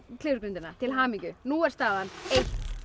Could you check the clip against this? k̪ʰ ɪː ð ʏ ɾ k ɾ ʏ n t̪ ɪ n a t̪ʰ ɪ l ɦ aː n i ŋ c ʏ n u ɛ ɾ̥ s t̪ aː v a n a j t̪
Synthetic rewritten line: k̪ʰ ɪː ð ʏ ɾ k ɾ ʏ n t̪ ɪ n a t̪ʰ ɪ l ɦ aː m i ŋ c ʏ n u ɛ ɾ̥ s t̪ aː ð a n e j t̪